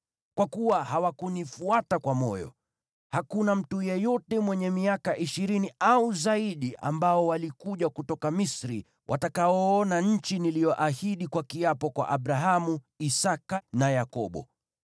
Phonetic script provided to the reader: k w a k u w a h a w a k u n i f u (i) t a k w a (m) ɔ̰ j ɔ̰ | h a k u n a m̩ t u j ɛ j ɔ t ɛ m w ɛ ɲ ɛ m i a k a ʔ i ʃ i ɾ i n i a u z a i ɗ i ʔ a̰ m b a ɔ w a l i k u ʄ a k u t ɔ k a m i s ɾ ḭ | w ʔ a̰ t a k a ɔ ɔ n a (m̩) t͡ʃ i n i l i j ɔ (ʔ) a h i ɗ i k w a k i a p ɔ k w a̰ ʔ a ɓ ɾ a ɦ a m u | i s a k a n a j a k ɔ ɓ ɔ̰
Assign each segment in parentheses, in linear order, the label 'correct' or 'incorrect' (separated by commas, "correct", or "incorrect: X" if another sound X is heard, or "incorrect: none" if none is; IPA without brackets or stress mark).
incorrect: a, correct, incorrect: ɲ̩, correct